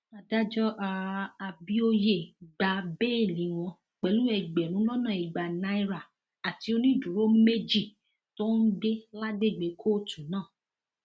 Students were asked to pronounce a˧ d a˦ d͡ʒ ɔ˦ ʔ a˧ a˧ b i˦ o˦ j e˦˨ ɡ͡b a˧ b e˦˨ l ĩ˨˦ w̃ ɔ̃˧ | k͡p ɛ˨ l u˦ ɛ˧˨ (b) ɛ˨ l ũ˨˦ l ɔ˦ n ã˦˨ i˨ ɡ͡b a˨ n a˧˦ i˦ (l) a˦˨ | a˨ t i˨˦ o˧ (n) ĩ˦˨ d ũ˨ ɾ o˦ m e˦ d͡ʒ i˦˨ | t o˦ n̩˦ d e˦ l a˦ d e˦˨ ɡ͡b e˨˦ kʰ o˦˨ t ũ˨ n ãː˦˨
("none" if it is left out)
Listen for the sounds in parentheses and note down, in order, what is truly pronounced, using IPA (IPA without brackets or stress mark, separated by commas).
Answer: ɡ͡b, ɾ, n